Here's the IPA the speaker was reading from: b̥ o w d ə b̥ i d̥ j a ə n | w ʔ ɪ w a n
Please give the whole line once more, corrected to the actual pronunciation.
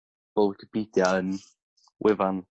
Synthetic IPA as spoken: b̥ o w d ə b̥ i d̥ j a ə n | w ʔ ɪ v a n